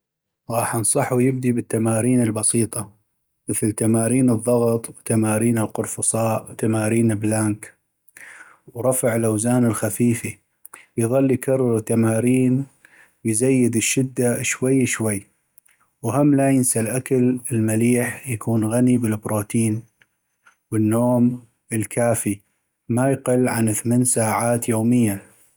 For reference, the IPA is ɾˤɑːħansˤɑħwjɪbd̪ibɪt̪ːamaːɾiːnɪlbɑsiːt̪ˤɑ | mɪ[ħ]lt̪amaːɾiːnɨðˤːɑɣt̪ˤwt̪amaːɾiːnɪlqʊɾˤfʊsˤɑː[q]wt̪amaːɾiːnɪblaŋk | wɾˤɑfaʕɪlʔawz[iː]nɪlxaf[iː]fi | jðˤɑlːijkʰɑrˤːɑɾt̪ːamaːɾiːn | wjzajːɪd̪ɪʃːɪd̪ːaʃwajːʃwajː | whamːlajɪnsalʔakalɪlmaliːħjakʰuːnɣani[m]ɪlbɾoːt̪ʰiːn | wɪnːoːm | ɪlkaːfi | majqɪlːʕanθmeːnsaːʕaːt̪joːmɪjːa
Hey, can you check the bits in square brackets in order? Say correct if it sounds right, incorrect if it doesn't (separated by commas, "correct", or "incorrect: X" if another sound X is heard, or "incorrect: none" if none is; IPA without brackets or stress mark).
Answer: incorrect: θ, incorrect: ʔ, incorrect: aː, correct, incorrect: b